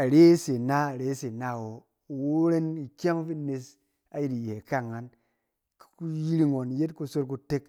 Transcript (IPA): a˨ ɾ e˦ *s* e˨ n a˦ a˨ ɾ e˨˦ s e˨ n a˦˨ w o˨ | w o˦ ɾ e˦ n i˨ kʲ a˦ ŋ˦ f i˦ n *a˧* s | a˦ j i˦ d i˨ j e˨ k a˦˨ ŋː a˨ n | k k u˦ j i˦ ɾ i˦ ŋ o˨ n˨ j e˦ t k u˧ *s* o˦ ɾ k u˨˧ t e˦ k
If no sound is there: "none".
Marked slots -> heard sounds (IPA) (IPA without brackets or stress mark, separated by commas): s, e˧, s